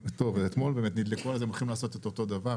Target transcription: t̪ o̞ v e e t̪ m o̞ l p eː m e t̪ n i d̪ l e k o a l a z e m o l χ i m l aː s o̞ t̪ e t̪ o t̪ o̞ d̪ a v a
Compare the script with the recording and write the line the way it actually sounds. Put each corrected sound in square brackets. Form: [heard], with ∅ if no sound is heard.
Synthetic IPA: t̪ o̞ v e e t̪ m o̞ l [b] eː m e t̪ n i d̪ l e k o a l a z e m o l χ i m l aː s o̞ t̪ e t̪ o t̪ o̞ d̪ a v a